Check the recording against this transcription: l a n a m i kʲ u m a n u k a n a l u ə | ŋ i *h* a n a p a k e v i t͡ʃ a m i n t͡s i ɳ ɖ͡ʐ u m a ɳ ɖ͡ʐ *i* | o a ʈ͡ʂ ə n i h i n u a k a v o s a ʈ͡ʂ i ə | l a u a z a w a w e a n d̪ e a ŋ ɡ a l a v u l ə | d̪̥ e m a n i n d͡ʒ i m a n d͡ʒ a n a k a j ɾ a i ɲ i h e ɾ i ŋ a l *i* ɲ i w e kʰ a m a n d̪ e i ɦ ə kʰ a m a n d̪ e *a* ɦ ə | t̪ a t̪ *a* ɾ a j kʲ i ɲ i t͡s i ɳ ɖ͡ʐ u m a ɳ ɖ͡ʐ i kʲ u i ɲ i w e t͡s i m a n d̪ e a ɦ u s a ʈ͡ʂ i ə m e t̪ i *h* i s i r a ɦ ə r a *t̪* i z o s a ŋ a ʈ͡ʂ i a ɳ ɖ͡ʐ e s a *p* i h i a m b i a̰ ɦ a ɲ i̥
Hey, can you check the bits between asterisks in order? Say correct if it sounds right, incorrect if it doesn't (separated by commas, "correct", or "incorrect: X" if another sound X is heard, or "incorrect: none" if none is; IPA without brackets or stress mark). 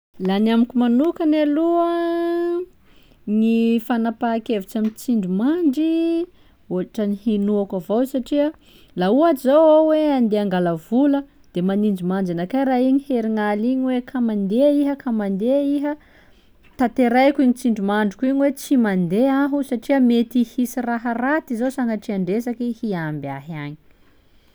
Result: incorrect: f, correct, correct, incorrect: i, incorrect: e, correct, correct, incorrect: k